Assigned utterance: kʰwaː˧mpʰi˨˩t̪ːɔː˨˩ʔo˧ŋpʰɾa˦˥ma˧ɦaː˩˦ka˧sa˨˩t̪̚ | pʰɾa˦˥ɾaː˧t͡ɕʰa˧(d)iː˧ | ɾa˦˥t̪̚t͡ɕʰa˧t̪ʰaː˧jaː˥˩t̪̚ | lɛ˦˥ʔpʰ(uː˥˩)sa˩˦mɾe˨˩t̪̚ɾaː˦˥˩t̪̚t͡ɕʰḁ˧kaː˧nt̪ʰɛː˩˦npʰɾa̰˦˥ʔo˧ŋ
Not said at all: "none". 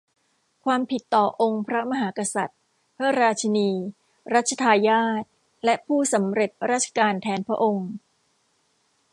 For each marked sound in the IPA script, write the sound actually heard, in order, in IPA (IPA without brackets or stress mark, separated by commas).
n, uː˥˩